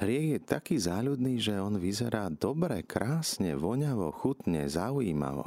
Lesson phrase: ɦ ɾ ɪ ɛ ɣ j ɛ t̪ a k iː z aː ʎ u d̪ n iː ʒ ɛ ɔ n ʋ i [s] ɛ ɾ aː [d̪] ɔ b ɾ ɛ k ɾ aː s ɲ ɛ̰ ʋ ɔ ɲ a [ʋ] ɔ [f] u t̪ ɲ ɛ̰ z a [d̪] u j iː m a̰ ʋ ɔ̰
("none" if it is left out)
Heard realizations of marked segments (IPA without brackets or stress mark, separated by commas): z, d̪, ʋ, x, none